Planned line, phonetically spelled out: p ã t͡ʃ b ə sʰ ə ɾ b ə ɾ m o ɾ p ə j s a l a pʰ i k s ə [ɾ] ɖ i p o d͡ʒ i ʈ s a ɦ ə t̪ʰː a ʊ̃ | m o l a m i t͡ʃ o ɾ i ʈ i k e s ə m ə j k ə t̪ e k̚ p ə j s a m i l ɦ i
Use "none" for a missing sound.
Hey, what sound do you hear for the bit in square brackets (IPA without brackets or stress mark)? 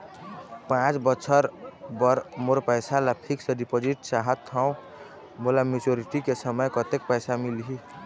none